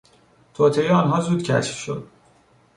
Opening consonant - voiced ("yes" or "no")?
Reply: no